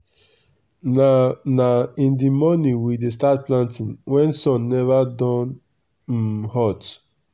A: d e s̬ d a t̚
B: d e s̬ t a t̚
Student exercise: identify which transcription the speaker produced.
B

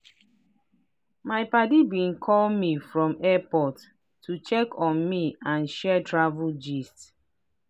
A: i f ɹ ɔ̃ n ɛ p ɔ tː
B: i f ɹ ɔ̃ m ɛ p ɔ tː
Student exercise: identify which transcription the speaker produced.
B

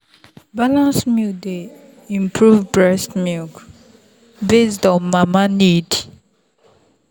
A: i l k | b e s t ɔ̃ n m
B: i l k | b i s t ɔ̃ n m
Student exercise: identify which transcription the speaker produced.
A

